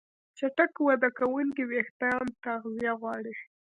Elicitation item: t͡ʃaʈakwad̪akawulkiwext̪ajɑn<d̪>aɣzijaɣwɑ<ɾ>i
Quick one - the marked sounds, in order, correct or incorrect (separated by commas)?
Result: incorrect, incorrect